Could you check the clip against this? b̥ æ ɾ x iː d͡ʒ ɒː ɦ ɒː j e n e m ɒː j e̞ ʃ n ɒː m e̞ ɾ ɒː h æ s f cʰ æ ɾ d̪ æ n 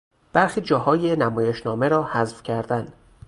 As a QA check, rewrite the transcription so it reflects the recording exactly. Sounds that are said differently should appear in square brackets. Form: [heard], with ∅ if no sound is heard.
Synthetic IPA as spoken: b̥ æ ɾ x iː d͡ʒ ɒː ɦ ɒː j e n [æ] m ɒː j e̞ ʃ n ɒː m e̞ ɾ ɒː h æ [z] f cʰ æ ɾ d̪ æ n